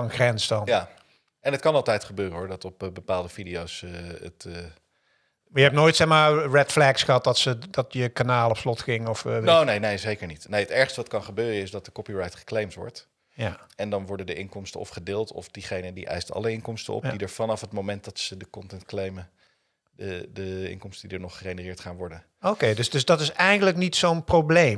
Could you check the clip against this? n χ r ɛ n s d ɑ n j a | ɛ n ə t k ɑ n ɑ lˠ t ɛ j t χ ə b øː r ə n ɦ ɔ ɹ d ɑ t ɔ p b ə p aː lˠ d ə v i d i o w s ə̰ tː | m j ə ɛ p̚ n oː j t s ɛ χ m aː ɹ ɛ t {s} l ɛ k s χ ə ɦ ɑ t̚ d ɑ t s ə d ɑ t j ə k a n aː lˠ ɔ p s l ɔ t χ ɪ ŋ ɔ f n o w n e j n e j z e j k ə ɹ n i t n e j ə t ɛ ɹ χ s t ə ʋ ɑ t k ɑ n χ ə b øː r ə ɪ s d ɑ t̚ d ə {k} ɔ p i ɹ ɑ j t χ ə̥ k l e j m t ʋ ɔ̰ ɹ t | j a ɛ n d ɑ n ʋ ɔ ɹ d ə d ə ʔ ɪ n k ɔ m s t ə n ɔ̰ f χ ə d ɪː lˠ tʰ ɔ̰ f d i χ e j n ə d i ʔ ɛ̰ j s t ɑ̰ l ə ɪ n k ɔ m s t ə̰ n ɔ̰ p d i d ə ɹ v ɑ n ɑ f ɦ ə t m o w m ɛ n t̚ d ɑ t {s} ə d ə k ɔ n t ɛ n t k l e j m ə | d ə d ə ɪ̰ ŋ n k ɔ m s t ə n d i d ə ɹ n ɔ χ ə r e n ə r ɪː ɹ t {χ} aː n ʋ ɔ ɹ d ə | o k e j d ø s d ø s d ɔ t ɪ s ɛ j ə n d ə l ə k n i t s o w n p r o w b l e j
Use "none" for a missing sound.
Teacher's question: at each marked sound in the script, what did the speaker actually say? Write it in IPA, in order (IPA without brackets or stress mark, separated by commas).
f, k, s, χ